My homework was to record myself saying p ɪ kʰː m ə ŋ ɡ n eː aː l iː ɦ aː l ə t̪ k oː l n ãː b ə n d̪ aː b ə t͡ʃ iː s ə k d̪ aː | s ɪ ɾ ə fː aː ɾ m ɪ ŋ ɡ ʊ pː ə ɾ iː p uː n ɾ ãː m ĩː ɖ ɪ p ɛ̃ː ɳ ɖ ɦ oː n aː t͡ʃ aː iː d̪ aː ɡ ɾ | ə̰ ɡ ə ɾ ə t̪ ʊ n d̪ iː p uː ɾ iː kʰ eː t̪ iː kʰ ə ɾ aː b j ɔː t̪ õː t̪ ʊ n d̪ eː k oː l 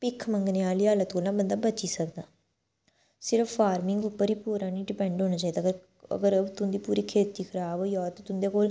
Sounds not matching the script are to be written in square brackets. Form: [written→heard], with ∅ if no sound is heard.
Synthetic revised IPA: p ɪ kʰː m ə ŋ ɡ n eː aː l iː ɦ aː l ə t̪ k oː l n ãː b ə n d̪ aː b ə t͡ʃ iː s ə k d̪ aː | s ɪ ɾ ə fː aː ɾ m ɪ ŋ ɡ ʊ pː ə ɾ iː p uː [n→∅] ɾ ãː [m→n] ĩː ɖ ɪ p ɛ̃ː ɳ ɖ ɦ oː n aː t͡ʃ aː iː d̪ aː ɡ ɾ | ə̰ ɡ ə ɾ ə t̪ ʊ n d̪ iː p uː ɾ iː kʰ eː t̪ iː kʰ ə ɾ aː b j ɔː t̪ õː t̪ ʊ n d̪ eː k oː l